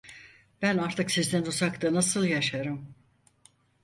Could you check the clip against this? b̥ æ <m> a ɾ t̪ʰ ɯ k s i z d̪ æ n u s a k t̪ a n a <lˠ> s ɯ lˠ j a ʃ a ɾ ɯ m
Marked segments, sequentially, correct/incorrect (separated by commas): incorrect, incorrect